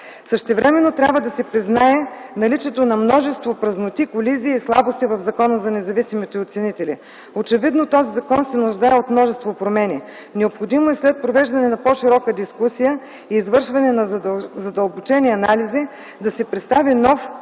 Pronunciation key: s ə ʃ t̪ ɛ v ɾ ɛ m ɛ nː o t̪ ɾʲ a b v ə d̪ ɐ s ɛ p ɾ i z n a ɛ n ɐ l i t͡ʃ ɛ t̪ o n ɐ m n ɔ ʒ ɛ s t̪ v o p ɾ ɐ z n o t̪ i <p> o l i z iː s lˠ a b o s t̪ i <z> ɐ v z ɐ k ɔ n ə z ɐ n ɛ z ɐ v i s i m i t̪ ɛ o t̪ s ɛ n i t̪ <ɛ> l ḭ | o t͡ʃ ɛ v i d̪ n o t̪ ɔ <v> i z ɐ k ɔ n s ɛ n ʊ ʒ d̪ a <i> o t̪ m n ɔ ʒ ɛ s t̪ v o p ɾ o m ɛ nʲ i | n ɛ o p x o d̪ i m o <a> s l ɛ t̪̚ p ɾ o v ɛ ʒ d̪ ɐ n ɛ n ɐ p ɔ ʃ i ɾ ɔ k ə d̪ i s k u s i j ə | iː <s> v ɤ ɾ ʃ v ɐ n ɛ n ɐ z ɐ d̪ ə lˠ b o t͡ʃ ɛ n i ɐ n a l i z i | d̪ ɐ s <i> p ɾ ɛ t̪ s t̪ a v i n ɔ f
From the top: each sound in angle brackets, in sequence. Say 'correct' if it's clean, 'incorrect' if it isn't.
incorrect: k, incorrect: v, correct, incorrect: z, incorrect: ɛ, incorrect: ɛ, incorrect: z, incorrect: ɛ

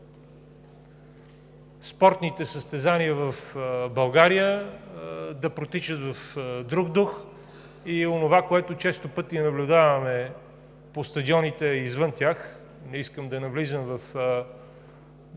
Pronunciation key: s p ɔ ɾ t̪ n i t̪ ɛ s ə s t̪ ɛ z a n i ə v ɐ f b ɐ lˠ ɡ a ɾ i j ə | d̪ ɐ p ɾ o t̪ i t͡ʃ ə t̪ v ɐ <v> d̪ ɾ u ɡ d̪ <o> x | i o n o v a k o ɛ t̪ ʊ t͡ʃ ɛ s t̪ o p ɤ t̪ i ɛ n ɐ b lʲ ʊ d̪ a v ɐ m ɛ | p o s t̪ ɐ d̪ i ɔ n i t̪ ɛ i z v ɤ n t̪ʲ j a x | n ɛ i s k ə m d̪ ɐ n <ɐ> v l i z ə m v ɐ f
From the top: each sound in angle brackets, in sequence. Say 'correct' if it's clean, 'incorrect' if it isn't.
incorrect: f, incorrect: u, correct

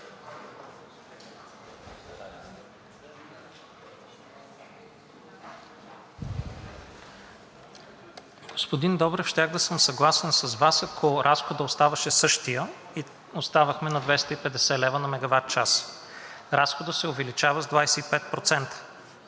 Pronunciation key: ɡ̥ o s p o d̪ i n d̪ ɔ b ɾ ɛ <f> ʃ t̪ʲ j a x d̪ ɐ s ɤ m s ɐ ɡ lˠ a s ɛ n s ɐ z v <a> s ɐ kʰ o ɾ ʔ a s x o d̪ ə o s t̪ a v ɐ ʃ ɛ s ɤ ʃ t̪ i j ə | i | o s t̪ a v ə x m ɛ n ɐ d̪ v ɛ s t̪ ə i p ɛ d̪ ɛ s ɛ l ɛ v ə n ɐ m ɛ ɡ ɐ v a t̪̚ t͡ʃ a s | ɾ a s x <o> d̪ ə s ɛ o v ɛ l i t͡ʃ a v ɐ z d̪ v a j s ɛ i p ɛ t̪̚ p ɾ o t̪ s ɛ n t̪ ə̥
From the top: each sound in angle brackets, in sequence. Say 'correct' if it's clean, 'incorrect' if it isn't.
correct, correct, correct

